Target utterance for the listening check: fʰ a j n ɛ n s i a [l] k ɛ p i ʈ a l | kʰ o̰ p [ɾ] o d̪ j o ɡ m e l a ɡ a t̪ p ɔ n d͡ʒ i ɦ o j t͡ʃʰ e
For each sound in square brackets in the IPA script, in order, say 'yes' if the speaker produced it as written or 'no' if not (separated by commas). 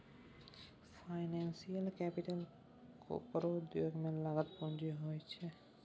yes, yes